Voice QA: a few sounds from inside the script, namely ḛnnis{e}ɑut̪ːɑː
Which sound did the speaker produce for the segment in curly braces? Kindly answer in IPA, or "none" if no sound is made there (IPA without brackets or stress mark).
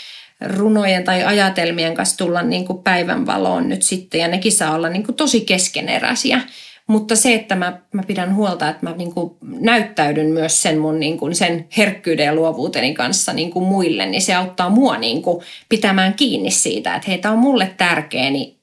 e